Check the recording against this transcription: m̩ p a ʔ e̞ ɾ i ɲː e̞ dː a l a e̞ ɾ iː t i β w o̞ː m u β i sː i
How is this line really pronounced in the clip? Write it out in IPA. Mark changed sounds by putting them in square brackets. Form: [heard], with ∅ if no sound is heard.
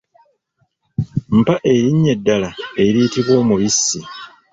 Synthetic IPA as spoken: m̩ p a ʔ e̞ ɾ i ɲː e̞ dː a l a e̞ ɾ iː t i β w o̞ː m u β i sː i